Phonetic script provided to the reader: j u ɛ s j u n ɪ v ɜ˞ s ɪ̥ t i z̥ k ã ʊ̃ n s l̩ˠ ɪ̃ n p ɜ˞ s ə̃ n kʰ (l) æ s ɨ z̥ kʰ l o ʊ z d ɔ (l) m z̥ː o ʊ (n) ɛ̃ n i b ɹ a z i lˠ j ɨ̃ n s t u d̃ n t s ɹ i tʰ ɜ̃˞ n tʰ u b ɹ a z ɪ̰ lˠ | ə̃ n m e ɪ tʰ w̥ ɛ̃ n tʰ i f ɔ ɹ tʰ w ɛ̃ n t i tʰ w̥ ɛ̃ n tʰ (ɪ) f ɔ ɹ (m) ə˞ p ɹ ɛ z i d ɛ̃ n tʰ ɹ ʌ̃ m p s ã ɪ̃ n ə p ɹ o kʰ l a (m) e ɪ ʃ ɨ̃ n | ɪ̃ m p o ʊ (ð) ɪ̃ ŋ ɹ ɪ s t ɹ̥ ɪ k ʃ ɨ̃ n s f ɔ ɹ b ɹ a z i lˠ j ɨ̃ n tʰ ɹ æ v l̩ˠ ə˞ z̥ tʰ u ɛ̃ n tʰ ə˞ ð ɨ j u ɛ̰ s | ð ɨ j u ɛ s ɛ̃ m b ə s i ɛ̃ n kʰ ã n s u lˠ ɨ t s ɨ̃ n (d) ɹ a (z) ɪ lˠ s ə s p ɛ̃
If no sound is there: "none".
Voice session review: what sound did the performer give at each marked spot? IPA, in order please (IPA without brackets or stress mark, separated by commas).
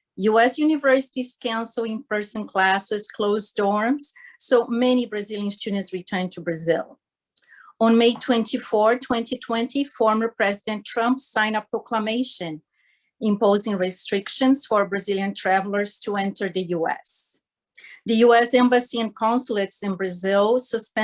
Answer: l, ɹ, m, i, m, m, z, b, z